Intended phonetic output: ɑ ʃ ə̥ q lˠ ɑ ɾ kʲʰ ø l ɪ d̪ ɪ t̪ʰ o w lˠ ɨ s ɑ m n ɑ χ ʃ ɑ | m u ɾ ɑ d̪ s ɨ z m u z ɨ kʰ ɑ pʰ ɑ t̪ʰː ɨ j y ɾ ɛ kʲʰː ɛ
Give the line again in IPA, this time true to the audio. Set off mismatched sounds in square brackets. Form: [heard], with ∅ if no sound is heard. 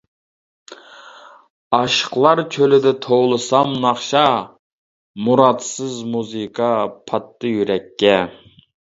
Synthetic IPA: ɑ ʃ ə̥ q lˠ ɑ ɾ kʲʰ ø l ɪ d̪ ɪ t̪ʰ o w lˠ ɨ s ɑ m n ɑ χ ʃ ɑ | m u ɾ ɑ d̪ s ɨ z m u z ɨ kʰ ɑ pʰ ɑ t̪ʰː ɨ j y ɾ ɛ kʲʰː ɛ